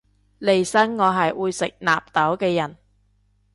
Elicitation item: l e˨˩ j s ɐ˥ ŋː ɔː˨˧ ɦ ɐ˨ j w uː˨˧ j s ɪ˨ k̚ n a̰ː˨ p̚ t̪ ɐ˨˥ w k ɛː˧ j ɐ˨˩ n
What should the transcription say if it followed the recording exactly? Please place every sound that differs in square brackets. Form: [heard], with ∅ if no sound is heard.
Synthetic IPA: l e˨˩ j s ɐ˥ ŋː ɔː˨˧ ɦ ɐ˨ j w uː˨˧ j s ɪ˨ k̚ n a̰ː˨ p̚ t̪ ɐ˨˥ w k ɛː˧ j ɐ˨˩ n